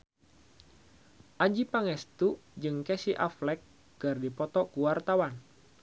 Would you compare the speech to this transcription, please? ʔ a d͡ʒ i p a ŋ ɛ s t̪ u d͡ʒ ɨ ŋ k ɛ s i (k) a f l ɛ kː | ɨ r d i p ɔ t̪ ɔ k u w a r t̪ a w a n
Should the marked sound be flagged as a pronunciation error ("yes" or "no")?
yes